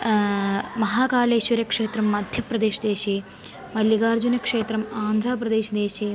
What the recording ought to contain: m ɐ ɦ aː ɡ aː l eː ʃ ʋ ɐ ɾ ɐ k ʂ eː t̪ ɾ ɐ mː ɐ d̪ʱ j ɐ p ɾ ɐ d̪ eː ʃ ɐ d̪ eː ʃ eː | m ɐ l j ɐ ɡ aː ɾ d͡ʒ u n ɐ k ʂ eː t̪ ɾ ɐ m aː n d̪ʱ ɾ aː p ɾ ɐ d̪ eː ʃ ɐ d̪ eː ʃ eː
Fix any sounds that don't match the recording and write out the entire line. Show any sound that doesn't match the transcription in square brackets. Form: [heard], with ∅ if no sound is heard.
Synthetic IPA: m ɐ ɦ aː [k] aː l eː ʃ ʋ ɐ ɾ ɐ k ʂ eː t̪ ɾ ɐ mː ɐ d̪ʱ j ɐ p ɾ ɐ d̪ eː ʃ ɐ d̪ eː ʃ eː | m ɐ l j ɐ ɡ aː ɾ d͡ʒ u n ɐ k ʂ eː t̪ ɾ ɐ m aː n d̪ʱ ɾ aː p ɾ ɐ d̪ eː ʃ ɐ d̪ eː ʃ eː